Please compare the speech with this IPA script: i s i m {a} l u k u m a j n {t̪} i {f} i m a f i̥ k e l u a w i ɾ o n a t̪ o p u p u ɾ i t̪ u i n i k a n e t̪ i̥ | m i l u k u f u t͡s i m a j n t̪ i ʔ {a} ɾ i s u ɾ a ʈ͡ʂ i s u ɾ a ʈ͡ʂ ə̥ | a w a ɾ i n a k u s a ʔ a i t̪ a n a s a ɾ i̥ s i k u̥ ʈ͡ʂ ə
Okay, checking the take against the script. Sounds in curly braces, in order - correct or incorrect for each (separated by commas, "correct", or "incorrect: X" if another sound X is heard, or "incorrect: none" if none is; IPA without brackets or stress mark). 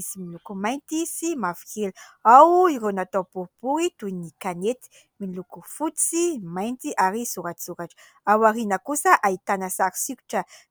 incorrect: i, correct, incorrect: s, correct